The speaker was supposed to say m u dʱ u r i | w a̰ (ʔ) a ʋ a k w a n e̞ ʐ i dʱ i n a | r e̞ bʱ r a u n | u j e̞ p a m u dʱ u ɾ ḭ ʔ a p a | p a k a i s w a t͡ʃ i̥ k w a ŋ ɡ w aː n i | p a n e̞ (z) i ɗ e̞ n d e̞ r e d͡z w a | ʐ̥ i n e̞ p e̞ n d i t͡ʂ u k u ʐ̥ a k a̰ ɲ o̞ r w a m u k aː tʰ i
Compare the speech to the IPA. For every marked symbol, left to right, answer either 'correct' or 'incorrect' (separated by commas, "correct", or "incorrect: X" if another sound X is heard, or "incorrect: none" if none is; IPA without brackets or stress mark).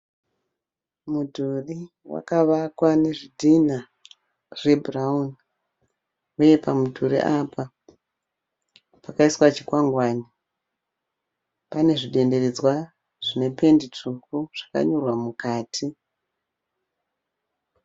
incorrect: k, incorrect: ʐ